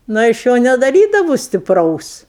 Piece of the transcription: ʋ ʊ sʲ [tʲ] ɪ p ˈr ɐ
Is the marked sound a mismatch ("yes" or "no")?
no